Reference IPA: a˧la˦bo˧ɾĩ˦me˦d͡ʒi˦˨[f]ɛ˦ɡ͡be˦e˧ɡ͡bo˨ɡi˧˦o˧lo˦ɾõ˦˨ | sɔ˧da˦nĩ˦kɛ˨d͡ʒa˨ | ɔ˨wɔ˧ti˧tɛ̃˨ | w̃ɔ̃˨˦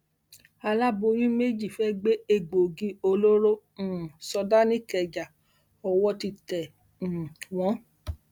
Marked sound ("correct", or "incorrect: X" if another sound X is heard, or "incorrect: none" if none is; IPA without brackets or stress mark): correct